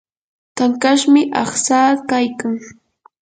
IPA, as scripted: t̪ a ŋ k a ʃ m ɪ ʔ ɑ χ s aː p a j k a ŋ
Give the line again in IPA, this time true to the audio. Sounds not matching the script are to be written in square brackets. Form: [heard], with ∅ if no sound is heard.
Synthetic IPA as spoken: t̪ a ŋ k a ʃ m ɪ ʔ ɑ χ s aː [k] a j k a ŋ